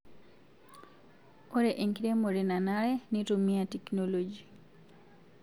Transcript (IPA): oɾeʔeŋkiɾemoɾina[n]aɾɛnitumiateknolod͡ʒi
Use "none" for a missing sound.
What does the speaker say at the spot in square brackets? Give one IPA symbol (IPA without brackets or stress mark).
n